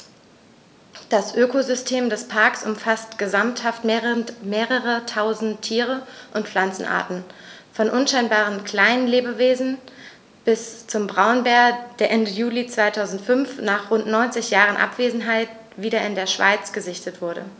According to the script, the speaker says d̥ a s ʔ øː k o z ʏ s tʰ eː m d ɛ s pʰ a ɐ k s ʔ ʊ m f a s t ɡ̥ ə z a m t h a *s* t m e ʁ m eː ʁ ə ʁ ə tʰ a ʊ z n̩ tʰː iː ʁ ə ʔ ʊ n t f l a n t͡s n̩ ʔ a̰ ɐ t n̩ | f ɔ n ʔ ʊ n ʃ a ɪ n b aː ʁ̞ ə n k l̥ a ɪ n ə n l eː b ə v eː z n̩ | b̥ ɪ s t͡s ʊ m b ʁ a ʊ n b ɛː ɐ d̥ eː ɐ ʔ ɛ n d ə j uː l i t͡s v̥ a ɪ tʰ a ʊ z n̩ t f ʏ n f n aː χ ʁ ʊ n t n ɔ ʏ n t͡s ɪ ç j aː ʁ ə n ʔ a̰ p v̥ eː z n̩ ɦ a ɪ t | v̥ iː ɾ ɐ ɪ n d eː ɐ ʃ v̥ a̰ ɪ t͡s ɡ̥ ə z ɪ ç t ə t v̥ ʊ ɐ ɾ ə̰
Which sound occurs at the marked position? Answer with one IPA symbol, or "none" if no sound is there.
f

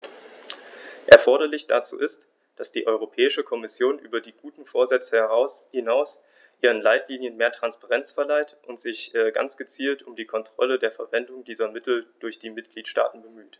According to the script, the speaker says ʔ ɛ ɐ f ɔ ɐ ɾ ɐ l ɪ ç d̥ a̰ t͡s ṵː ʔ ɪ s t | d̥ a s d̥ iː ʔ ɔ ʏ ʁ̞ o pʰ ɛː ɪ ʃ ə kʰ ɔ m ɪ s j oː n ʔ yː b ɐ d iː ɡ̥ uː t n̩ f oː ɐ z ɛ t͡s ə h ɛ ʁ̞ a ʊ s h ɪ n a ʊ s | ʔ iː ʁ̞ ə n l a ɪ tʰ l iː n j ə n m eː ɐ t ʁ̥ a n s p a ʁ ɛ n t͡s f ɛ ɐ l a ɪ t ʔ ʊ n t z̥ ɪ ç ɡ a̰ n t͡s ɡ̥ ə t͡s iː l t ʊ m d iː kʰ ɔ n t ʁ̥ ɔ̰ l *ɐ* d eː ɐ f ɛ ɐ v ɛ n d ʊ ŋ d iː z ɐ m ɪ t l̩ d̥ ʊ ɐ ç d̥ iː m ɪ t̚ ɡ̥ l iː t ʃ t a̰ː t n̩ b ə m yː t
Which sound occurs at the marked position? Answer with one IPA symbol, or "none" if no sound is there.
ə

